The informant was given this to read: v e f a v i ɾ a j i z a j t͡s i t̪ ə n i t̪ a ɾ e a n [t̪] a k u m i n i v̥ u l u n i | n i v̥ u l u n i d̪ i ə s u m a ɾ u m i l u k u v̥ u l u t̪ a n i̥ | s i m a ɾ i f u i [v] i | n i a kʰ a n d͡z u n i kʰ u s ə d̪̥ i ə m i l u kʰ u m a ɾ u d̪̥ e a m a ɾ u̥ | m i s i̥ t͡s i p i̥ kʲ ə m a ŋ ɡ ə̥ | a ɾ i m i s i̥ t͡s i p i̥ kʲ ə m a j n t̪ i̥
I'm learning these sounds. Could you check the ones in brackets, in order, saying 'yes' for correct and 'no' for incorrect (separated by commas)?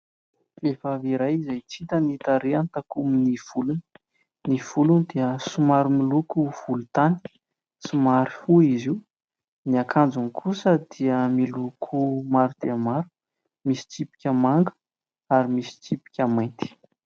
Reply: yes, no